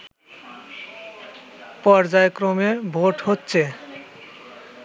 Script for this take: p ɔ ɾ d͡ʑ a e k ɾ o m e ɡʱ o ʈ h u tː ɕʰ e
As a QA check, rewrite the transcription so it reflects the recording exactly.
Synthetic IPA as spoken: p ɔ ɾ d͡ʑ a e k ɾ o m e bʱ o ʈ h o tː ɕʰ e

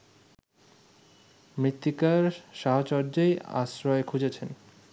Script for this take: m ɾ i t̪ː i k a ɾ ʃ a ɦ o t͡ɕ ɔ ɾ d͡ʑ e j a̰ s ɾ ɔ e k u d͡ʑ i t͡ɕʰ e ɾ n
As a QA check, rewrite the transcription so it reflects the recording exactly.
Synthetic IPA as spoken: m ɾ i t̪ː i k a ɾ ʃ a ɦ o t͡ɕ ɔ ɾ d͡ʑ e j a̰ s ɾ ɔ e kʰ u d͡ʑ e t͡ɕʰ e n

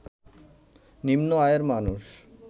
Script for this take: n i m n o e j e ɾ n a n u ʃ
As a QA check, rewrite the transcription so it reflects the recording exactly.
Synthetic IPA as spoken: n i m n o a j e ɾ m a n u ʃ

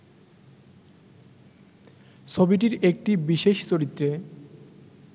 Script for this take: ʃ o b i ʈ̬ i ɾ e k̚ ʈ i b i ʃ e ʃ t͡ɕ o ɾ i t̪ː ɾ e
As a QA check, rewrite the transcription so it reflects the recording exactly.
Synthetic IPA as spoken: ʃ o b i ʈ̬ i ɾ e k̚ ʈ i b i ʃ e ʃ t͡ɕ o ɾ i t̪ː ɾ e

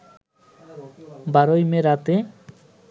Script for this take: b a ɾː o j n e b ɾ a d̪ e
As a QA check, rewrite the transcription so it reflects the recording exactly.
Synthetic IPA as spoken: b a ɾ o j m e ɾ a t̪ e

